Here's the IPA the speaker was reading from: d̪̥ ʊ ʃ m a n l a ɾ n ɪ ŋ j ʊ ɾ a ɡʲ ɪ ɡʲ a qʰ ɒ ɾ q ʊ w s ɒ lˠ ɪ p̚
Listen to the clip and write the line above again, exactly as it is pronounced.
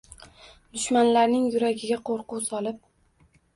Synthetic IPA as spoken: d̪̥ ʊ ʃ m a n l a ɾ n ɪ ŋ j ʊ ɾ a ɡʲ ɪ ɡʲ a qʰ o ɾ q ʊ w s ɒ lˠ ɪ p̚